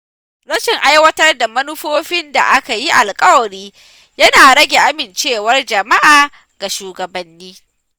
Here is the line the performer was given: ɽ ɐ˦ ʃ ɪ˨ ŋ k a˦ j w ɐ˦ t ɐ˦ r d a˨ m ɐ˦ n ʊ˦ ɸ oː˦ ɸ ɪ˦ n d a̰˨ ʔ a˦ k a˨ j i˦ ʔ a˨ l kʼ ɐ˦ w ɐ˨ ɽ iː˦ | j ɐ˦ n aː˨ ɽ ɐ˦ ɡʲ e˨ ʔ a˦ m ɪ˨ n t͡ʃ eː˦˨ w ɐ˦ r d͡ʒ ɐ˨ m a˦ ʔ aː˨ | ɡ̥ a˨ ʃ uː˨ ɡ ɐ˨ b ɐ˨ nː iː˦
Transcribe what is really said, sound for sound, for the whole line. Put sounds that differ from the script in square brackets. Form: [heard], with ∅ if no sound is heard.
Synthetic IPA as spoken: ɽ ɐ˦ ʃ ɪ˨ ŋ [ʔ] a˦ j w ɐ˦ t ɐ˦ r d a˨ m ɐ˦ n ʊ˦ ɸ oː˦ ɸ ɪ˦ n d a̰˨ ʔ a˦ k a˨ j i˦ ʔ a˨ l kʼ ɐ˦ w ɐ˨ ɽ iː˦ | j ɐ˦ n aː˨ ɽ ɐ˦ ɡʲ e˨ ʔ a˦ m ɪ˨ n t͡ʃ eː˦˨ w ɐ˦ r d͡ʒ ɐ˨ m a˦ ʔ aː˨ | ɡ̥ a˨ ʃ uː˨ ɡ ɐ˨ b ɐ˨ nː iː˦